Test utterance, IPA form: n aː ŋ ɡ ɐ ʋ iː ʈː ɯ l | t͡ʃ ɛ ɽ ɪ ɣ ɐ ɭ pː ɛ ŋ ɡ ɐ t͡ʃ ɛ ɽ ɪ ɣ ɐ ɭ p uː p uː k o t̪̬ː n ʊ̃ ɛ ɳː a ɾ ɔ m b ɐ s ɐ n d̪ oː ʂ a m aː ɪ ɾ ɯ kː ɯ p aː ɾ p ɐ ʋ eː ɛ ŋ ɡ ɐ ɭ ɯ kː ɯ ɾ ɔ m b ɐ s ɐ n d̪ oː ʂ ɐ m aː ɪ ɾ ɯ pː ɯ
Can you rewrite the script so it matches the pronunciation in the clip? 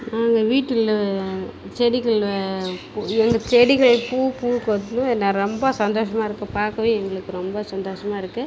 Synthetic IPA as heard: n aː ŋ ɡ ɐ ʋ iː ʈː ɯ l | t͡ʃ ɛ ɽ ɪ ɣ ɐ ɭ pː ɛ ŋ ɡ ɐ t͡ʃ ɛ ɽ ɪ ɣ ɐ ɭ p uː p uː k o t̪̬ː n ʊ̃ ɛ nː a ɾ ɔ m b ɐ s ɐ n d̪ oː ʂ ɐ m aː ɪ ɾ ɯ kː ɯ p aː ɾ k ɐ ʋ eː ɛ ŋ ɡ ɐ ɭ ɯ kː ɯ ɾ ɔ m b ɐ s ɐ n d̪ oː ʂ ɐ m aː ɪ ɾ ɯ kː ɯ